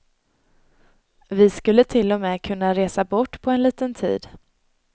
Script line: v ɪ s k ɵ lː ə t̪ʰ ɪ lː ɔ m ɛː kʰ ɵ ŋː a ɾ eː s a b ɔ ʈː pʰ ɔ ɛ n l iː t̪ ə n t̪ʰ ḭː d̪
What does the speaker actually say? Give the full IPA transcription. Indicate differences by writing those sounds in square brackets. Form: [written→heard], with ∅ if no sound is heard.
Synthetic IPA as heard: v ɪ s k ɵ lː ə t̪ʰ ɪ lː ɔ m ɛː kʰ ɵ [ŋː→nː] a ɾ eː s a b ɔ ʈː pʰ ɔ ɛ n l iː t̪ ə n t̪ʰ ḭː d̪